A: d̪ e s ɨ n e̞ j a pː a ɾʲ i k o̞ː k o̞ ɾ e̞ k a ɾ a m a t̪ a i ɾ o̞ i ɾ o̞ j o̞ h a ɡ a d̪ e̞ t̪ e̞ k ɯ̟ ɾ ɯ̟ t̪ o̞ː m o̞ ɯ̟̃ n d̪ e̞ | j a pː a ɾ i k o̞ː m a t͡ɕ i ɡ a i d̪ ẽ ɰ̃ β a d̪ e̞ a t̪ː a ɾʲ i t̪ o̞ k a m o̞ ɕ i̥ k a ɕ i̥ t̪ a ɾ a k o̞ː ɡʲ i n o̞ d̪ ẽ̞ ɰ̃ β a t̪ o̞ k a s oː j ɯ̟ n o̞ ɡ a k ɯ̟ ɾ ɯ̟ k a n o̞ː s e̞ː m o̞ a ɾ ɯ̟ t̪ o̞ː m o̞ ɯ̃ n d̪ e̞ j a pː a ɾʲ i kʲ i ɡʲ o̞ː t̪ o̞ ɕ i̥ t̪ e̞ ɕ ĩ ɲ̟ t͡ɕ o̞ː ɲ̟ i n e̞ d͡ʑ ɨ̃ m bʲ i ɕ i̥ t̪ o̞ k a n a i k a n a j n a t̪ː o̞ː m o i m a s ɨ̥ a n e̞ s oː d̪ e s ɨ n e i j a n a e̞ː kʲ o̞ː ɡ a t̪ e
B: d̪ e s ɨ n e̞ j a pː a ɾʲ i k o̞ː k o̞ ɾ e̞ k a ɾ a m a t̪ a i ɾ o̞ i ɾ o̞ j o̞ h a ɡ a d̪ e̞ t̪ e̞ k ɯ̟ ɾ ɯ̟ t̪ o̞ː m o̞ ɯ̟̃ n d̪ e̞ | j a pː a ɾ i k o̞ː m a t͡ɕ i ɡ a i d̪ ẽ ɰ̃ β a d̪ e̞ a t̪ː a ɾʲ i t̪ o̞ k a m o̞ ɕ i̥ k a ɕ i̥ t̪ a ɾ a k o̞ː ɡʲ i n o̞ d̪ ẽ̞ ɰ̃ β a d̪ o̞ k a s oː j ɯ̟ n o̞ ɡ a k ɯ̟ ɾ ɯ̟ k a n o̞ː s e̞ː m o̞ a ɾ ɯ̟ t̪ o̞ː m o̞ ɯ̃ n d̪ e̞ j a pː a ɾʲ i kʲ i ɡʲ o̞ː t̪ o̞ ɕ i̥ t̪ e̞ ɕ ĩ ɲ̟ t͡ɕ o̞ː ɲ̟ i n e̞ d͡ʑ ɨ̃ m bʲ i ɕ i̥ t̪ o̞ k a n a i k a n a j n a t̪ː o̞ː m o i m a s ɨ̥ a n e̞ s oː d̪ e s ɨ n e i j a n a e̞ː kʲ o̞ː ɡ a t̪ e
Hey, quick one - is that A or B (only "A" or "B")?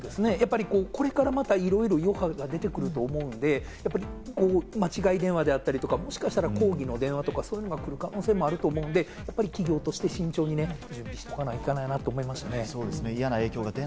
A